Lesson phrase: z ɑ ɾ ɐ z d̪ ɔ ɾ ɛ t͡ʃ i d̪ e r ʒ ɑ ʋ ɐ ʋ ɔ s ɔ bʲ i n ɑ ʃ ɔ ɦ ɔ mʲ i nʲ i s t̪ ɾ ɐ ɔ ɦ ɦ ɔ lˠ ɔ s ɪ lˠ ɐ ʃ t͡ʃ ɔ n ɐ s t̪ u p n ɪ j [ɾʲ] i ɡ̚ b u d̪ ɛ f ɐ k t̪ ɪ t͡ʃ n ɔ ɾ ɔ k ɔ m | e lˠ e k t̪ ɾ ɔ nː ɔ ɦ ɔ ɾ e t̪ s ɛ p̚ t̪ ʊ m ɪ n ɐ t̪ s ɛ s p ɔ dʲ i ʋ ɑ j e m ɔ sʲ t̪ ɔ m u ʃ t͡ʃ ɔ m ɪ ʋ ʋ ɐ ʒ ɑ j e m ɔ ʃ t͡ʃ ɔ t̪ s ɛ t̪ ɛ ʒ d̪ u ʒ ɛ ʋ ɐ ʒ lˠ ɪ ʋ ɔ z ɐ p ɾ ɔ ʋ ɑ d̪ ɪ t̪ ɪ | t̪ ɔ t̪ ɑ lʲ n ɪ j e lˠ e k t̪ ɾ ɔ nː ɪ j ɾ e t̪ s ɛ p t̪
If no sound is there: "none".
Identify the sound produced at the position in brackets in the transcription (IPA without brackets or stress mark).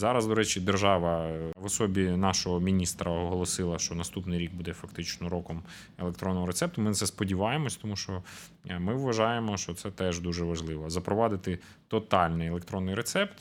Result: ɾʲ